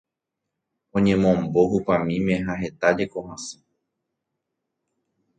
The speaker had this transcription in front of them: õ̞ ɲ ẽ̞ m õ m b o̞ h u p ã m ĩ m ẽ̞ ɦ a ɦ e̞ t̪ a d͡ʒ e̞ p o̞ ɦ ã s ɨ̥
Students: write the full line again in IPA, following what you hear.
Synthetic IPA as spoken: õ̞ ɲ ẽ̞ m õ m b o̞ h u p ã m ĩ m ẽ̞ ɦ a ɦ e̞ t̪ a d͡ʒ e̞ k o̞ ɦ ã s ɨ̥